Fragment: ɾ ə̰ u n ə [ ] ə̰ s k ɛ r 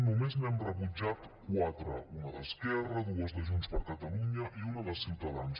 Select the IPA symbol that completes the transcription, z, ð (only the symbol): ð